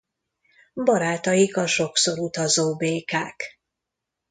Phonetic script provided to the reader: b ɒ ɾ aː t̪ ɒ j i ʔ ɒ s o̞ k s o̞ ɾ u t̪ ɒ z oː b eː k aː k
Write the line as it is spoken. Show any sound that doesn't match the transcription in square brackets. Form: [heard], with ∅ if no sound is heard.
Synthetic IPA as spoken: b ɒ ɾ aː t̪ ɒ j i [k] ɒ [ʃ] o̞ k s o̞ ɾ u t̪ ɒ z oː b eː k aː k